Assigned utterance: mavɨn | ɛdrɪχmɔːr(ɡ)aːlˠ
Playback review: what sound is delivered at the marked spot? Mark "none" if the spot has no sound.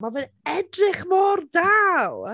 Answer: d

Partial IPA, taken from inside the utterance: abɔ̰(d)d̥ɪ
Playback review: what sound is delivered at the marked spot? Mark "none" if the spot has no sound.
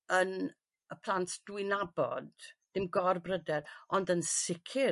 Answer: d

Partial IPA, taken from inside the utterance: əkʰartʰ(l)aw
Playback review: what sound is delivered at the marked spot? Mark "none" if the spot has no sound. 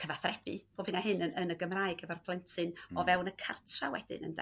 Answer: r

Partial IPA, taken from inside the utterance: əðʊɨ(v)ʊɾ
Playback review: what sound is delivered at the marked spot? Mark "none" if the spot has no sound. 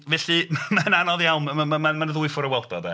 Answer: f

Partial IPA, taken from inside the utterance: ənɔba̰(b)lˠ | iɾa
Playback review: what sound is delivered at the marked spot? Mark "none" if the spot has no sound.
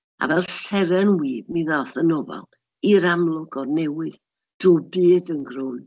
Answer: none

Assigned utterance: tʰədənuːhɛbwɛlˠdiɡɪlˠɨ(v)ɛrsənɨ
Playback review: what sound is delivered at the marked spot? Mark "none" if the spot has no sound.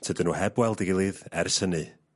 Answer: ð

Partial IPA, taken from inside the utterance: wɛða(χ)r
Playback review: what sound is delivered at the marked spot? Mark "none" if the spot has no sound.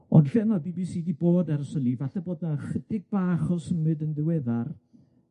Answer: none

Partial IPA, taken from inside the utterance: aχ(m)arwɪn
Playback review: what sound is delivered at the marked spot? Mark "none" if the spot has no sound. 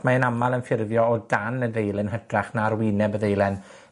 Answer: n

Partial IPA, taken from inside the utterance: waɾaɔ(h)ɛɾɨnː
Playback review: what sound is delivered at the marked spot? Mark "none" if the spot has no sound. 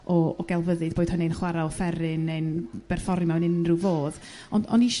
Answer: f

